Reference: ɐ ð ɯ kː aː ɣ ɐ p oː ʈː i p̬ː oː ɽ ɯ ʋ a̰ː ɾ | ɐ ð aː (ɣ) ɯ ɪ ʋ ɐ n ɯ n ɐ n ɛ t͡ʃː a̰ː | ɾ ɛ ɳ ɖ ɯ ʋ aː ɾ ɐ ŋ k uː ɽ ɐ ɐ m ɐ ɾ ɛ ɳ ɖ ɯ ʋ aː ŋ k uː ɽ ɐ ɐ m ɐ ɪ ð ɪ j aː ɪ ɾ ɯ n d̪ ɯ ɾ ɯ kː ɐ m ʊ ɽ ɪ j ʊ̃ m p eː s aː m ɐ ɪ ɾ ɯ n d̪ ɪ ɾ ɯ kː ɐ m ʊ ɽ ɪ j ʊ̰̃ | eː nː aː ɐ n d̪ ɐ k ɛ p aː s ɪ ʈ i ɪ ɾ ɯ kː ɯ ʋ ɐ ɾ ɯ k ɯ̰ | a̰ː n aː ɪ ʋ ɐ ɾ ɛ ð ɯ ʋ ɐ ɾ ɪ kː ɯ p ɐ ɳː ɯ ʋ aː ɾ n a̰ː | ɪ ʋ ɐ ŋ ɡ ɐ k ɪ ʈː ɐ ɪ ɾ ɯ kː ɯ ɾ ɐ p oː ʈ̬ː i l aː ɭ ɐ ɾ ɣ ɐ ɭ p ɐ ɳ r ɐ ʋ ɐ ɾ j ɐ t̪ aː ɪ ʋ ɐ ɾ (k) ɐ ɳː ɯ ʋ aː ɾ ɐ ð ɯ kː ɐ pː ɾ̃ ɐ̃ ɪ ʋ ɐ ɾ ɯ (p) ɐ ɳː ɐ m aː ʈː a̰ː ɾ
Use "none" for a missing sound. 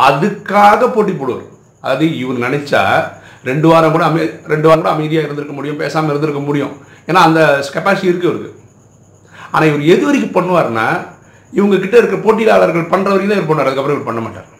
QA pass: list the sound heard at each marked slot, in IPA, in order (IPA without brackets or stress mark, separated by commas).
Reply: ð, p, p